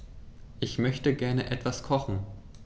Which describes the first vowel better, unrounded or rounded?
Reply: unrounded